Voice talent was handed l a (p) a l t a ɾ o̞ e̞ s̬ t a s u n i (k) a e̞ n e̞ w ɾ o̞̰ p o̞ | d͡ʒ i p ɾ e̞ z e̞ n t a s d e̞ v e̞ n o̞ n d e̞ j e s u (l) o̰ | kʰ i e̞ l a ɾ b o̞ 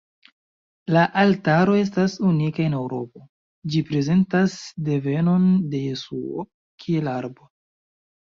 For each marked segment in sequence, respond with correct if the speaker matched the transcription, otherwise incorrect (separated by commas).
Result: incorrect, correct, incorrect